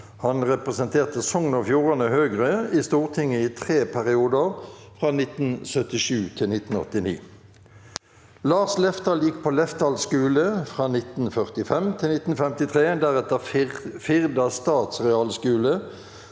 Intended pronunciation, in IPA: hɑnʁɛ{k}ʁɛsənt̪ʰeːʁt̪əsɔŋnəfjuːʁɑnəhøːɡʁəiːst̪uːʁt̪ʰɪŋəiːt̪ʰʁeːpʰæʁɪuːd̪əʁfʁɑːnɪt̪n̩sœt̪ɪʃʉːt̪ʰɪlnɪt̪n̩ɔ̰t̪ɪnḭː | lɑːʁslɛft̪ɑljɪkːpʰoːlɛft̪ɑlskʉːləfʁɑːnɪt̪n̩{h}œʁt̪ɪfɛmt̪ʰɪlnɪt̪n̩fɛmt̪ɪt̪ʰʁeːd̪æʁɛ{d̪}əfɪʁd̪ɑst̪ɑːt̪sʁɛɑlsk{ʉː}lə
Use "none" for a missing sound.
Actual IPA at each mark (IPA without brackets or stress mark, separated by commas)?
p, f, t̪, ʉː